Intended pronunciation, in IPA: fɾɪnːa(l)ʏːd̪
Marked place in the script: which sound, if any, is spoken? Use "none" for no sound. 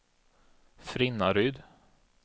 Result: ɾ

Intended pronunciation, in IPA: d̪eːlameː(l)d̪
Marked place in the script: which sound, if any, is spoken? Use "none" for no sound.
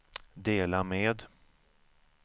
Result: none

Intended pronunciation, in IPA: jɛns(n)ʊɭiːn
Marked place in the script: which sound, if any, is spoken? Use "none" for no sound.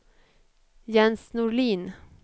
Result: n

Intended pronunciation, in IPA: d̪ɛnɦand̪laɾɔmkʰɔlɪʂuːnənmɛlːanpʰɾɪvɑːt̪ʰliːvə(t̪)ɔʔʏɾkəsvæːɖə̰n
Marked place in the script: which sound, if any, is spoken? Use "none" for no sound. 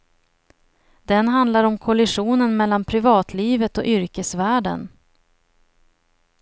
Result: t̪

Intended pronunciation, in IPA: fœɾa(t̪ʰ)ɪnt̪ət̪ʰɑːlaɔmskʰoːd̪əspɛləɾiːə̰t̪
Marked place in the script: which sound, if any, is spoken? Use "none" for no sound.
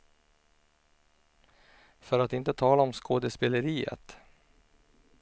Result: t̪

